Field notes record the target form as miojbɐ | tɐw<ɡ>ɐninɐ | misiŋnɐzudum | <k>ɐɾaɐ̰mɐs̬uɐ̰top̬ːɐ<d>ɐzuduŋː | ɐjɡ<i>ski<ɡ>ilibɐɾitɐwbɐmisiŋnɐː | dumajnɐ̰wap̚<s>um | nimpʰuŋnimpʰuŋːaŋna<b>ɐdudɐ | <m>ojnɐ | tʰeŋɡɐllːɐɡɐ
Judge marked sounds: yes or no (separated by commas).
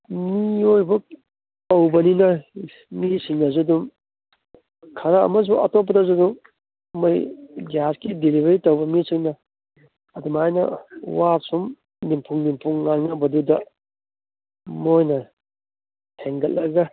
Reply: no, no, yes, no, no, yes, yes, yes